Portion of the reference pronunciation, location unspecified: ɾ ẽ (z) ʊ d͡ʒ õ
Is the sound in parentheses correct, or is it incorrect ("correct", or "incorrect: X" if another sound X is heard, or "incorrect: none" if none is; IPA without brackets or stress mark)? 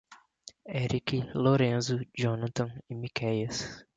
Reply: correct